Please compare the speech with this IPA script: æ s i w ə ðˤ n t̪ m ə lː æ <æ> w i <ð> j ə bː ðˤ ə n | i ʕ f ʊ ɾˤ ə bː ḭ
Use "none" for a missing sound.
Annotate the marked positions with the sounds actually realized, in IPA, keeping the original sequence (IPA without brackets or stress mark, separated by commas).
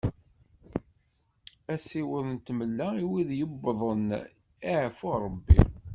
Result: i, ð